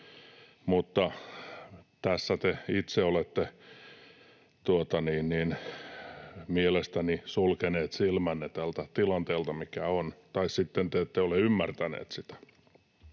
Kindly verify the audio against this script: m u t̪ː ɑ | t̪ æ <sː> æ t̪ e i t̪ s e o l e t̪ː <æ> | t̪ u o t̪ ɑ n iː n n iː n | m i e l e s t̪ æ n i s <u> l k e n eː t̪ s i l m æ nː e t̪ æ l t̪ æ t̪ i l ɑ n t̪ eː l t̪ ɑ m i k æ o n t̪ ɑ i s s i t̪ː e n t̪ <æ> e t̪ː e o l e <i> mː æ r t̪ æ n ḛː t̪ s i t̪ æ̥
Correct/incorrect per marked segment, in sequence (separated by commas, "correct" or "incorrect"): correct, incorrect, correct, incorrect, incorrect